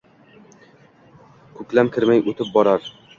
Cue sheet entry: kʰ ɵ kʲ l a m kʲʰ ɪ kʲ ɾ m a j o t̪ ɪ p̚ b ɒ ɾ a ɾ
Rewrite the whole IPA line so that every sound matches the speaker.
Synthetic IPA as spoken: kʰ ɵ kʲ l a m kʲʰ ɪ ɾ m a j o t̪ ɪ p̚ b ɒ ɾ a ɾ

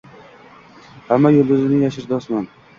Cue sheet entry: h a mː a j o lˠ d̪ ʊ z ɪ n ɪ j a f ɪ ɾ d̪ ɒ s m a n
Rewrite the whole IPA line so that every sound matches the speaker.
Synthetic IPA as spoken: h a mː a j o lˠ d̪ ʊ z ɪ n ɪ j a ʃ ɪ ɾ d̪ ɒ s m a n

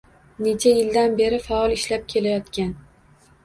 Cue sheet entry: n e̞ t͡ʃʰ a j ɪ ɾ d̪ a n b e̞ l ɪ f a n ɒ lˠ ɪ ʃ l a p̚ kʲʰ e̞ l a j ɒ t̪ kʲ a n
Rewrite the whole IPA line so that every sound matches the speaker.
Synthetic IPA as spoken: n e̞ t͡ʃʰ a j ɪ l d̪ a n b e̞ ɾ ɪ f a ɒ lˠ ɪ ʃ l a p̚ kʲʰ e̞ l a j ɒ t̪ kʲ a n

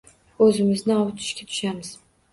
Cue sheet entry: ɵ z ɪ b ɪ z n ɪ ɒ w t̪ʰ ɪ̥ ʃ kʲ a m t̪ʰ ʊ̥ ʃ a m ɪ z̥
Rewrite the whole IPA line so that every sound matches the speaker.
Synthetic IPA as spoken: ɵ z ɪ m ɪ z n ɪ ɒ w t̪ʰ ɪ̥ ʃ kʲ a t̪ʰ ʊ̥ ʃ a m ɪ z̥

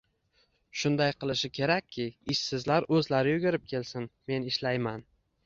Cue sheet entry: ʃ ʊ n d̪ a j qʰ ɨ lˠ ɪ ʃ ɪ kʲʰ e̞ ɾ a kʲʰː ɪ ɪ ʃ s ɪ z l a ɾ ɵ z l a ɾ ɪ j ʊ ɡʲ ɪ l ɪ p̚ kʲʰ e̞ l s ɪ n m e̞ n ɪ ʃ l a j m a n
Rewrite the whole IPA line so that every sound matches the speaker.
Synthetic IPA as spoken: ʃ ʊ n d̪ a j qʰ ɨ lˠ ɪ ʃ ɪ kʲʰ e̞ ɾ a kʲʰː ɪ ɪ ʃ s ɪ z l a ɾ ɵ z l a ɾ ɪ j ʊ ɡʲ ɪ ɾ ɪ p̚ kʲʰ e̞ l s ɪ n m e̞ n ɪ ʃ l a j m a n

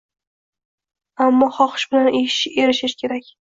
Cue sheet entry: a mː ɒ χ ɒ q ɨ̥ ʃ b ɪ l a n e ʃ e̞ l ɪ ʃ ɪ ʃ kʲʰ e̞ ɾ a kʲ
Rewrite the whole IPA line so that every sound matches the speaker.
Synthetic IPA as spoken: a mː ɒ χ ɒ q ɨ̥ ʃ b ɪ l a n e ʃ e̞ ɾ ɪ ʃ ɪ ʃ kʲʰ e̞ ɾ a kʲ

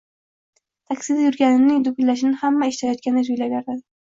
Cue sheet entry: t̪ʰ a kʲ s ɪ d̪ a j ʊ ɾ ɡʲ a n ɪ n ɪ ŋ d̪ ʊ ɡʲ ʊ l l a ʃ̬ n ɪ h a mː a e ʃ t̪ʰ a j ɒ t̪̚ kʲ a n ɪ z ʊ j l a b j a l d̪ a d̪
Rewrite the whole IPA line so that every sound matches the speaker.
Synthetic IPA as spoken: t̪ʰ a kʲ s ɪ d̪ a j ʊ ɾ ɡʲ a n ɪ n ɪ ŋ d̪ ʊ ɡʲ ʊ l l a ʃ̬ n ɪ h a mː a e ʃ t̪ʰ a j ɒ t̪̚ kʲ a n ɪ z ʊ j l a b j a ɾ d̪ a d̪

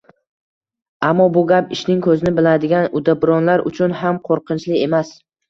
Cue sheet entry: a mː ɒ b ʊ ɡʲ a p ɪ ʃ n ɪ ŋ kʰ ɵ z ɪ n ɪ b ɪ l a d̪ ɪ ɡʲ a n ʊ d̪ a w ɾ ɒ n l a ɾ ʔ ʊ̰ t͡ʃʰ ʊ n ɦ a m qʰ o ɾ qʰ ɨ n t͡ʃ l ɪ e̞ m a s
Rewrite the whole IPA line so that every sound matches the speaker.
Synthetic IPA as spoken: a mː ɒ b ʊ ɡʲ a p ɪ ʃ n ɪ ŋ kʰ ɵ z ɪ n ɪ b ɪ l a d̪ ɪ ɡʲ a n ʊ d̪ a b ɾ ɒ n l a ɾ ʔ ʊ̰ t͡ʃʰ ʊ n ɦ a m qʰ o ɾ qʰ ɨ n t͡ʃ l ɪ e̞ m a s

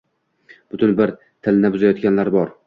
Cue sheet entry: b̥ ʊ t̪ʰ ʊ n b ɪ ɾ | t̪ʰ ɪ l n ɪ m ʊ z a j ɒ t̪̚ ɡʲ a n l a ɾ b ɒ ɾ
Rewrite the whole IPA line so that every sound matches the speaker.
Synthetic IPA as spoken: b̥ ʊ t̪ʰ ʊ n b ɪ ɾ | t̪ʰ ɪ l n ɪ b ʊ z a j ɒ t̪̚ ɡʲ a n l a ɾ b ɒ ɾ

